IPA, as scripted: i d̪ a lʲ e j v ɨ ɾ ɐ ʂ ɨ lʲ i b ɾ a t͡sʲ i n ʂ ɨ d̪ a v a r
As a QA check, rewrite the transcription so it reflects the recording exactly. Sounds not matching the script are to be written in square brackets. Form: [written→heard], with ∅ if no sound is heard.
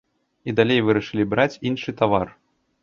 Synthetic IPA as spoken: i d̪ a lʲ e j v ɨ ɾ ɐ ʂ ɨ lʲ i b ɾ a t͡sʲ i n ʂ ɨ [d̪→t̪] a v a r